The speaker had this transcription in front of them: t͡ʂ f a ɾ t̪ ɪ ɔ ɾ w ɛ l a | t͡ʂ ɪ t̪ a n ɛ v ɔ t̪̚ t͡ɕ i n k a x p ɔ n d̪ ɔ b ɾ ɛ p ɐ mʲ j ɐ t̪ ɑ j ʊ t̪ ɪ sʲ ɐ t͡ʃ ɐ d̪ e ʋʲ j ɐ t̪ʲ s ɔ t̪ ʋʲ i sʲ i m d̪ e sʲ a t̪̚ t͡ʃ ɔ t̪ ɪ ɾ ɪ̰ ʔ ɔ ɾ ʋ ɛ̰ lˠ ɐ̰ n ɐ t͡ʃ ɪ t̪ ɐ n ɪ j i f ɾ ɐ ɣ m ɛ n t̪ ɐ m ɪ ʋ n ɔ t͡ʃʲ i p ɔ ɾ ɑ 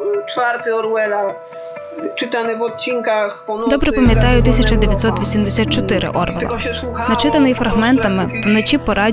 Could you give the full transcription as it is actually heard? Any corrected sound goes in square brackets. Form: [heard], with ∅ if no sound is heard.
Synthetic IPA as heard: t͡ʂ f a ɾ t̪ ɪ ɔ ɾ w ɛ l a | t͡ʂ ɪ t̪ a n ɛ v ɔ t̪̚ t͡ɕ i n k a x p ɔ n d̪ ɔ b ɾ ɛ p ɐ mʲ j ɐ t̪ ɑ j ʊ t̪ ɪ sʲ ɐ t͡ʃ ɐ d̪ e ʋʲ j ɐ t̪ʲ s ɔ t̪ ʋʲ i sʲ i m d̪ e sʲ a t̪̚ t͡ʃ ɔ t̪ ɪ ɾ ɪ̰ ʔ ɔ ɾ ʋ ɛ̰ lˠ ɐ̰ n ɐ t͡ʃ ɪ t̪ ɐ n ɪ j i f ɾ ɐ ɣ m ɛ n t̪ ɐ m ɪ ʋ n ɔ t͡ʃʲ i p ɔ ɾ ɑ